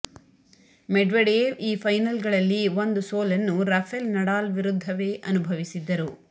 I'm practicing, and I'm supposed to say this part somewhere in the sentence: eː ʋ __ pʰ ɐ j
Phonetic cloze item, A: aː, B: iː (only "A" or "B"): B